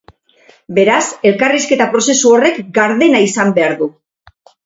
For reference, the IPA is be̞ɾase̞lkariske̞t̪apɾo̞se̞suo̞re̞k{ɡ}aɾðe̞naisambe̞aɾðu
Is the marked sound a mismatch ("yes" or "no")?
no